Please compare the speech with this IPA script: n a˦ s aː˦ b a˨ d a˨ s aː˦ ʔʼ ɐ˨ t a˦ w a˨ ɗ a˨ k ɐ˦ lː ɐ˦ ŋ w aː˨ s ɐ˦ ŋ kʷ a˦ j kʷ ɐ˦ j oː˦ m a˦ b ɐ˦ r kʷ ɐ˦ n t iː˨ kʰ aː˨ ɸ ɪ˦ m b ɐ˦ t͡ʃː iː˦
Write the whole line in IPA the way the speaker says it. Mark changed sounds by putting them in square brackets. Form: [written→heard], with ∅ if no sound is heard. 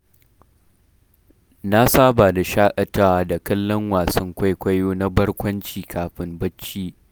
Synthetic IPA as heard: n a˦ s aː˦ b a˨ d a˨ [s→ʃ] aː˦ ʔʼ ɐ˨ t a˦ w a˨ [ɗ→d] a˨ k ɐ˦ lː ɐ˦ ŋ w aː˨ s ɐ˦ ŋ kʷ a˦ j kʷ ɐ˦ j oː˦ [m→n] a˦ b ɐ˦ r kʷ ɐ˦ n [t→t͡ʃ] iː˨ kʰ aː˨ ɸ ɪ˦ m b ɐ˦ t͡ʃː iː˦